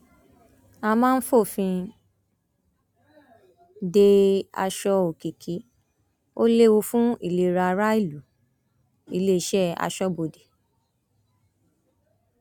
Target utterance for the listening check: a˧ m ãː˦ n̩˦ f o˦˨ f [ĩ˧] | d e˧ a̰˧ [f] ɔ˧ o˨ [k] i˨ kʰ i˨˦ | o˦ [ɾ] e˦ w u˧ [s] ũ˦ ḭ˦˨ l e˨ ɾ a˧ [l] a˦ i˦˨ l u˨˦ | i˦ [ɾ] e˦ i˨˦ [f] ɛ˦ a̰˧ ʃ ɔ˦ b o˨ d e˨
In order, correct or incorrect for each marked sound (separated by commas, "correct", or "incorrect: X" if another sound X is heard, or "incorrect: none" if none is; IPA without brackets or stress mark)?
correct, incorrect: ʃ, correct, incorrect: l, incorrect: f, incorrect: ɾ, incorrect: l, incorrect: ʃ